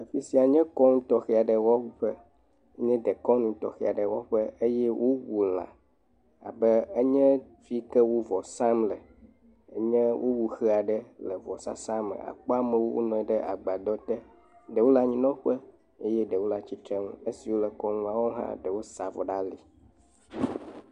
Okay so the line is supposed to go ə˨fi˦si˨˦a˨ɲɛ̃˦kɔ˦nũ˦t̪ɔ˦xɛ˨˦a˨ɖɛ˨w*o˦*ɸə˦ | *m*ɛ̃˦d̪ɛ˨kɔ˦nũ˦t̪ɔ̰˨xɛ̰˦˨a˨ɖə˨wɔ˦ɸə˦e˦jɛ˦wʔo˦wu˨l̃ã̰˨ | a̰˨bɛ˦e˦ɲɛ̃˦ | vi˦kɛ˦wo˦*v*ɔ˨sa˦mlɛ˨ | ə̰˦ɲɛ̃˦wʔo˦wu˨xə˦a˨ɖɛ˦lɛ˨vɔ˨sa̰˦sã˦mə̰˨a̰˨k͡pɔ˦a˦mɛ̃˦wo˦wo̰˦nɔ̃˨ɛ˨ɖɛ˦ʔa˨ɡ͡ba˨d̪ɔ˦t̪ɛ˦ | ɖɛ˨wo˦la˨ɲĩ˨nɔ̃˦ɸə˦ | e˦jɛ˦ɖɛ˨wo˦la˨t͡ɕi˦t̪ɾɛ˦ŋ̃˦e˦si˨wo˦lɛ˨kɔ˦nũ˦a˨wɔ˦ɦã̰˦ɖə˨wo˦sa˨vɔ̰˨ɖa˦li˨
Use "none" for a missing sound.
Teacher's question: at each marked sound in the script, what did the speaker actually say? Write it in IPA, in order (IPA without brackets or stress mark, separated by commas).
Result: ɔ˦, ɲ, v